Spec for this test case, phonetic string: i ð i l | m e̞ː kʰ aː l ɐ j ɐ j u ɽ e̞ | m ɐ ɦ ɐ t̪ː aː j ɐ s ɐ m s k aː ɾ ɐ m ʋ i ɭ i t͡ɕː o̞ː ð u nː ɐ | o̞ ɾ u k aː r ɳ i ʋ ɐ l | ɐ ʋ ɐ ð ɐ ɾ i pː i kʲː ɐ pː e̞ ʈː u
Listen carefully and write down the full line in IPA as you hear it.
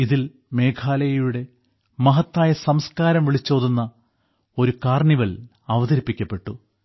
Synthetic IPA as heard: i ð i l | m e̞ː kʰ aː l ɐ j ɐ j u ɽ e̞ | m ɐ ɦ ɐ t̪ː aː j ɐ s ɐ m s k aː ɾ ɐ m ʋ i ɭ i t͡ɕː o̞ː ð u nː ɐ | o̞ ɾ u k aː r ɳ i ʋ ɐ l | ɐ ʋ ɐ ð ɐ ɾ i pː i kʲː ɐ pː e̞ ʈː u